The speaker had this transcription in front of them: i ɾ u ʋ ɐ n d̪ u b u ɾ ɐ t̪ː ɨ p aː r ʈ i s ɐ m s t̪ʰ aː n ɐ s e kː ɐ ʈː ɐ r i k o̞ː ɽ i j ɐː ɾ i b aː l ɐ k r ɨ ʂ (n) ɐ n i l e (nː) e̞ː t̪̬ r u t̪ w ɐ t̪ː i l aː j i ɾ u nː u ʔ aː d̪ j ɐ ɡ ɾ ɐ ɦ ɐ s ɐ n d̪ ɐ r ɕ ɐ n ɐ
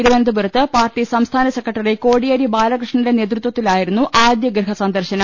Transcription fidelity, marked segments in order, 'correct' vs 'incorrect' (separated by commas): incorrect, incorrect